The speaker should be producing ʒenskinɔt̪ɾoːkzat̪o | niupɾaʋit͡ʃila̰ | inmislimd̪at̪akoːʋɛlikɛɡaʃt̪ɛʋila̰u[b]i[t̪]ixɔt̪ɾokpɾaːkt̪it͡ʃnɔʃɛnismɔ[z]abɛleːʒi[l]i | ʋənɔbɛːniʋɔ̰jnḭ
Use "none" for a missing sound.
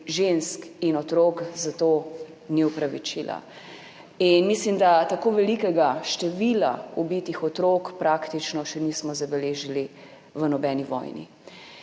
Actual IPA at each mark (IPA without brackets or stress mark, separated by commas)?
b, t̪, z, l